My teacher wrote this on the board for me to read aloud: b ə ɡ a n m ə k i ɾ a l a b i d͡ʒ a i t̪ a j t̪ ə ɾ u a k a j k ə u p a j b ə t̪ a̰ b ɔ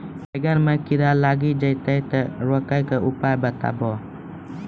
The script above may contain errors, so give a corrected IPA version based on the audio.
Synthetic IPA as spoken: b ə ɡ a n m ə k i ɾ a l a ɡ i d͡ʒ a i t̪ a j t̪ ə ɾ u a k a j k ə u p a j b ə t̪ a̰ b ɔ